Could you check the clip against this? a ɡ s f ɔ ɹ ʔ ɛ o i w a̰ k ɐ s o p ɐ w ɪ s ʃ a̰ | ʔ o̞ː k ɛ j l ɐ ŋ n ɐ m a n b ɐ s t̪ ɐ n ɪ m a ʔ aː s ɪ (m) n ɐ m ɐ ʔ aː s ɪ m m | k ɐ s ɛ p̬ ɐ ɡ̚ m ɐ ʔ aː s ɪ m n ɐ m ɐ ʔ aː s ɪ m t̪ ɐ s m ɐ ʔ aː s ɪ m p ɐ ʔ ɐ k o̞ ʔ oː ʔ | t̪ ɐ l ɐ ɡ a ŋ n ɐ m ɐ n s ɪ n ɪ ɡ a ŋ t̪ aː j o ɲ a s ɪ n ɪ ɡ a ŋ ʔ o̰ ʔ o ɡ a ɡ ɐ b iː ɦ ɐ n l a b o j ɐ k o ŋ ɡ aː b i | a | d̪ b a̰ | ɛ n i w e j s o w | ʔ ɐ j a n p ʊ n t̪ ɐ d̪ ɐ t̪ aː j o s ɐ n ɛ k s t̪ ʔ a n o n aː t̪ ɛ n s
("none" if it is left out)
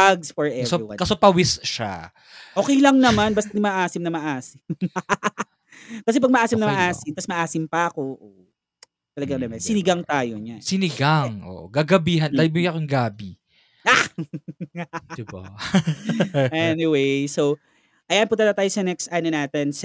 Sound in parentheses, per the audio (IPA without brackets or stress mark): m